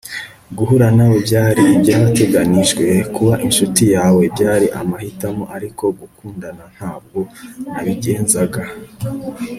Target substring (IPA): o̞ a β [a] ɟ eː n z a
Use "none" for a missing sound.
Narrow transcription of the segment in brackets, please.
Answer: i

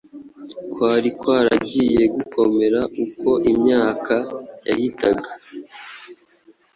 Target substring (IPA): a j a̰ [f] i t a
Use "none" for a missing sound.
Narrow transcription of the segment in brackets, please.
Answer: h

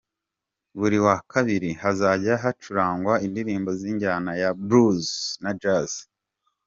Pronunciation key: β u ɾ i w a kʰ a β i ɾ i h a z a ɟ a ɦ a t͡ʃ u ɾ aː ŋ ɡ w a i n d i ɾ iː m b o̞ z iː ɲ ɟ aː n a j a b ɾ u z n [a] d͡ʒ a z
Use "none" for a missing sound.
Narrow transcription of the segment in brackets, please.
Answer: a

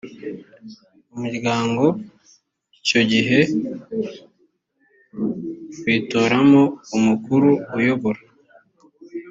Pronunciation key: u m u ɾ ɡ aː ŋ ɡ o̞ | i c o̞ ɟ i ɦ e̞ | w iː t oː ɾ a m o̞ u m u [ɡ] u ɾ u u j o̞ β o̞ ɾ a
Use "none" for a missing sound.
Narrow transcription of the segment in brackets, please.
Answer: k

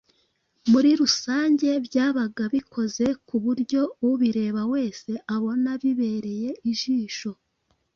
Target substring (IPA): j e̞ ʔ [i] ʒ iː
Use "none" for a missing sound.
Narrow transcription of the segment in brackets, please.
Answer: i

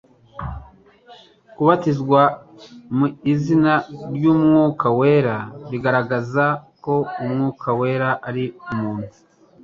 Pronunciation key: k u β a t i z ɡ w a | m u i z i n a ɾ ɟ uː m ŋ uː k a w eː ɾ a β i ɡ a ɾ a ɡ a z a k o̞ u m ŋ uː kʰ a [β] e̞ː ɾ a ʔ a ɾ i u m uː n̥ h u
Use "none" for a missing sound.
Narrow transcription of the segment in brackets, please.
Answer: w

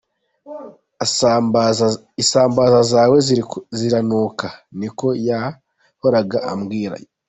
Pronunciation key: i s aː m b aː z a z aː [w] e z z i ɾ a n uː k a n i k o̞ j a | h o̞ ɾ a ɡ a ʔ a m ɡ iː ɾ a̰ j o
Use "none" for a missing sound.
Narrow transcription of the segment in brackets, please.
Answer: w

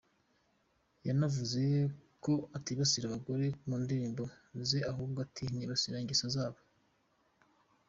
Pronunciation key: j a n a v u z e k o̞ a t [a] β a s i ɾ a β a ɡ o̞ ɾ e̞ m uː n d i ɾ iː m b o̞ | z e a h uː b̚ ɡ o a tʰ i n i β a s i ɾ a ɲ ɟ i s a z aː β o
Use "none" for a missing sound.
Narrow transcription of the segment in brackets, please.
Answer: i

